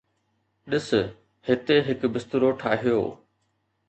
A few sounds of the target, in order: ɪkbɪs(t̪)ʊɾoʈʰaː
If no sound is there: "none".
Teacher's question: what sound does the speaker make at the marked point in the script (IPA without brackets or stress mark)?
t̪